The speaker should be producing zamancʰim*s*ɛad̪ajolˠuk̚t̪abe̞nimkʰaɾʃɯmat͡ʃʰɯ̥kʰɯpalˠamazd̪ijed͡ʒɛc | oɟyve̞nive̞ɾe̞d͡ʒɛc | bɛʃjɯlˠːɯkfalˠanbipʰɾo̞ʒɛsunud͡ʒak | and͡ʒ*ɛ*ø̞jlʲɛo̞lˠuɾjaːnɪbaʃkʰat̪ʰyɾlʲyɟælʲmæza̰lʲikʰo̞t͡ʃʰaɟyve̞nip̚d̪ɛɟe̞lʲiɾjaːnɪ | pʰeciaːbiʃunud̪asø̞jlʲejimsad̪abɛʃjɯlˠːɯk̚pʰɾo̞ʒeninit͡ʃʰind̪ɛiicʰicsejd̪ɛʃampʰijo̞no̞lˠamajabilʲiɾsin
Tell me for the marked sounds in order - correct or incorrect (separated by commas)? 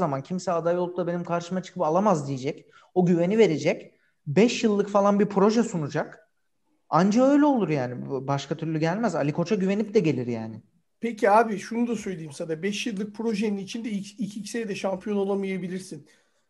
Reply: correct, incorrect